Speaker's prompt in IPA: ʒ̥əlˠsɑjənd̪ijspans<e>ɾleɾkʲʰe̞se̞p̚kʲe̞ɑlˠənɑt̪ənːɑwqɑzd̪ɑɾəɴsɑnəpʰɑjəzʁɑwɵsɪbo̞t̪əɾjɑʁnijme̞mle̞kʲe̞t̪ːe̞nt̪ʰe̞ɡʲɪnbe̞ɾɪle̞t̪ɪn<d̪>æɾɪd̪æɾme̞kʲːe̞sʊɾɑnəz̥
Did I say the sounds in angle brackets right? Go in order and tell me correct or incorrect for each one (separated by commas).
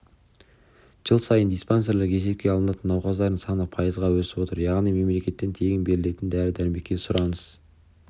correct, correct